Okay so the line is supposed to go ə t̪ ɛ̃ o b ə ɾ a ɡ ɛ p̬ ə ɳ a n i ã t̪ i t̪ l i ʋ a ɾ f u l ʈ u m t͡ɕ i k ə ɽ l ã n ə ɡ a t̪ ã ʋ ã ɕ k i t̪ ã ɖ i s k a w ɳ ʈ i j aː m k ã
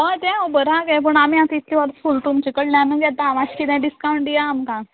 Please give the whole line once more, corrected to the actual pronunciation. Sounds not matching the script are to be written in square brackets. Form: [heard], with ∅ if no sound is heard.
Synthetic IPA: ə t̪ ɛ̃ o b ə ɾ a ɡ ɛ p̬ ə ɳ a [m] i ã t̪ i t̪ l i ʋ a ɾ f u l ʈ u m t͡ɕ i k ə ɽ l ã n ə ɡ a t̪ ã ʋ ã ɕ k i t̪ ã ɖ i s k a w ɳ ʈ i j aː m k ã

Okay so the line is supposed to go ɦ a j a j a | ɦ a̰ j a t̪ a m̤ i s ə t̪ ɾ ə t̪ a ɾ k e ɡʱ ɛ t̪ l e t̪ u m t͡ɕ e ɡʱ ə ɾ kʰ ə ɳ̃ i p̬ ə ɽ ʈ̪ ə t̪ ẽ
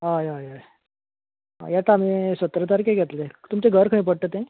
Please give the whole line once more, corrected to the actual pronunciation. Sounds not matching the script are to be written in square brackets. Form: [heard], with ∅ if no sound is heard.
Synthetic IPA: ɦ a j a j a | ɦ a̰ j a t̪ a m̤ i s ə t̪ ɾ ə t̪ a ɾ k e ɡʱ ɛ t̪ l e t̪ u m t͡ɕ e ɡʱ ə ɾ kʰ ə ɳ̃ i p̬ ə ɽ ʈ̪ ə t̪ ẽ

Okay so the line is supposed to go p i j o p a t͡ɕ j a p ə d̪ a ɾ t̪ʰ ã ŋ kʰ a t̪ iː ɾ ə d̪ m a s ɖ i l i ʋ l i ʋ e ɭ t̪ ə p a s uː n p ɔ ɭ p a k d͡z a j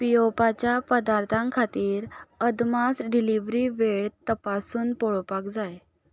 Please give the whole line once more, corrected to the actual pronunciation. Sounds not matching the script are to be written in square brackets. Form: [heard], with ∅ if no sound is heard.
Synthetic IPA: p i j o p a t͡ɕ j a p ə d̪ a ɾ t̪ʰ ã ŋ kʰ a t̪ iː ɾ ə d̪ m a s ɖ i l i ʋ [ɾ] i ʋ e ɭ t̪ ə p a s uː n p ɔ ɭ p a k d͡z a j

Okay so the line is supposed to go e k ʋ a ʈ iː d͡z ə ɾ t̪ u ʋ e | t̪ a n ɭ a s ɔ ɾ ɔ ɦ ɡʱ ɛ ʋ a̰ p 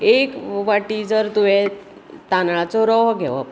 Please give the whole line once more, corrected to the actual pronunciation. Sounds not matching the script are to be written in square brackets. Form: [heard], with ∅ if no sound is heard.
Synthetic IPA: e k ʋ a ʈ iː d͡z ə ɾ t̪ u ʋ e | t̪ a n ɭ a [t͡s] ɔ ɾ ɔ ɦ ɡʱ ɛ ʋ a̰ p

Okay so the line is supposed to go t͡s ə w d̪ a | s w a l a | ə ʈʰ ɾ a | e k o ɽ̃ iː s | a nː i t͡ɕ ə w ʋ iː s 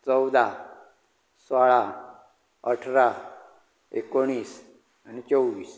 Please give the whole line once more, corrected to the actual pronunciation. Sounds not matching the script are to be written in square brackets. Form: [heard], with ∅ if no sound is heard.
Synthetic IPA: t͡s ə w d̪ a | s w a [ɭ] a | ə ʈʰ ɾ a | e k o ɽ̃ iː s | a [n] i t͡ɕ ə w ʋ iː s

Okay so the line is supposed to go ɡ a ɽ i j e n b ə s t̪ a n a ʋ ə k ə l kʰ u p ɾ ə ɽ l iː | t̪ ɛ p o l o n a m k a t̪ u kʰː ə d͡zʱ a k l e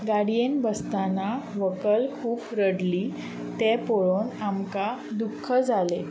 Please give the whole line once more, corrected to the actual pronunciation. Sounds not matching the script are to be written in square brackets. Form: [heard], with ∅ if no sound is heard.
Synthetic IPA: ɡ a ɽ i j e n b ə s t̪ a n a ʋ ə k ə l kʰ [uː] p ɾ ə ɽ l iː | t̪ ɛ p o [ɭ] o n a m k a [d̪] u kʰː ə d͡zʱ a [∅] l e

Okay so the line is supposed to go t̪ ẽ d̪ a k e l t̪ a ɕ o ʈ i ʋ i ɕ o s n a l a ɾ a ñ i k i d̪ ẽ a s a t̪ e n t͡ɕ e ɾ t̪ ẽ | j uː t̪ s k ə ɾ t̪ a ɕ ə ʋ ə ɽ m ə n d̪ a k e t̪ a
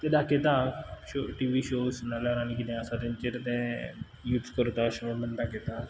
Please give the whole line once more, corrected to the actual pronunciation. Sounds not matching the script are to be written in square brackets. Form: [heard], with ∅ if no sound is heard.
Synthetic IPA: t̪ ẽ d̪ a k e [∅] t̪ a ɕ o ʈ i ʋ i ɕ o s n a l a ɾ a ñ i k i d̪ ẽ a s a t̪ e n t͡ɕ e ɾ t̪ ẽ | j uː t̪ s k ə ɾ t̪ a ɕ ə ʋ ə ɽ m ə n d̪ a k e t̪ a

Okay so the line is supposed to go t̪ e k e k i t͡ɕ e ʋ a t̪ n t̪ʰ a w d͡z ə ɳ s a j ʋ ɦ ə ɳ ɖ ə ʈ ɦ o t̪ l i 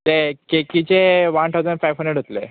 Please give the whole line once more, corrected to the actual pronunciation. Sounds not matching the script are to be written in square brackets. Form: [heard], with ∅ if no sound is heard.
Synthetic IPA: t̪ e k e k i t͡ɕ e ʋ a [∅] n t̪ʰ a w d͡z ə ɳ [f] a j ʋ ɦ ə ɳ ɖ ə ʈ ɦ o t̪ l [e]

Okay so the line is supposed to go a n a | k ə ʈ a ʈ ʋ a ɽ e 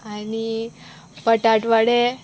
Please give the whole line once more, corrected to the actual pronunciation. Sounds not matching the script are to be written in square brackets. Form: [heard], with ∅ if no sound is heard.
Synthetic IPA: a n [i] | [p] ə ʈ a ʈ ʋ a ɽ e

